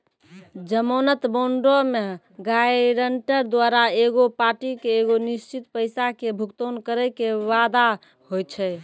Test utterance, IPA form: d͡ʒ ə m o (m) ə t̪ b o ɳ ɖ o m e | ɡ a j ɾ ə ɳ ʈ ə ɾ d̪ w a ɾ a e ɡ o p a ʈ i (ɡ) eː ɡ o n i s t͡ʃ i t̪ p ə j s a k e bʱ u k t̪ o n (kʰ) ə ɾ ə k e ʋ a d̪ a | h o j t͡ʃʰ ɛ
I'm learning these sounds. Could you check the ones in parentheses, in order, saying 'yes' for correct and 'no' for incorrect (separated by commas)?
no, no, no